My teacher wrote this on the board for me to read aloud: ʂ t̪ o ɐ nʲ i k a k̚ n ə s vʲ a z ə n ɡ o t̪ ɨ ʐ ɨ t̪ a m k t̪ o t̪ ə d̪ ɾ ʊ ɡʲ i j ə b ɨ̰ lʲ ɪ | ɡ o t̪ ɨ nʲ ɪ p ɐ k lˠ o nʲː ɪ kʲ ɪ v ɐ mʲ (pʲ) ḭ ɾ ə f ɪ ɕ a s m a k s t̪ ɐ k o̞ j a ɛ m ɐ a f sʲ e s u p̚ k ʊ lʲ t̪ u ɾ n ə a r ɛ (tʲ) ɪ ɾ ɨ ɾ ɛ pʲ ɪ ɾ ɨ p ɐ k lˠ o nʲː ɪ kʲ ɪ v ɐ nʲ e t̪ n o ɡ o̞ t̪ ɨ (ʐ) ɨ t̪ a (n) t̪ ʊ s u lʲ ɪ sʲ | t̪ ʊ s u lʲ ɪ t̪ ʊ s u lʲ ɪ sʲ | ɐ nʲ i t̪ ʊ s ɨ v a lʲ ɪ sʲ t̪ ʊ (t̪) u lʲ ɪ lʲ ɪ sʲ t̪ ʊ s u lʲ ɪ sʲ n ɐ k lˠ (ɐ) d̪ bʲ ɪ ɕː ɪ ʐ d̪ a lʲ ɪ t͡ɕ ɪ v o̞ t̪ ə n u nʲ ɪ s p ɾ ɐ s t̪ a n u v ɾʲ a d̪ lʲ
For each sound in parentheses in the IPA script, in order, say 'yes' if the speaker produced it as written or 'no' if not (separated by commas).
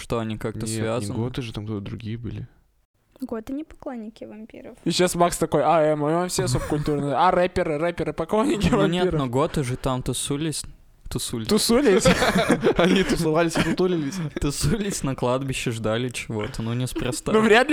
yes, no, yes, no, yes, no